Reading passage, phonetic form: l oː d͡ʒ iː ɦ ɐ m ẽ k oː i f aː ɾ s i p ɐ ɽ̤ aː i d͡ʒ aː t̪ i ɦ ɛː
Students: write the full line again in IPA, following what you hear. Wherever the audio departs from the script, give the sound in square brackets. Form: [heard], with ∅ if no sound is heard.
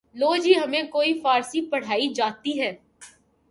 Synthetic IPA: l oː d͡ʒ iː ɦ ɐ m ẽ k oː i f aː ɾ s i p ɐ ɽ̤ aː i d͡ʒ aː t̪ i ɦ ɛː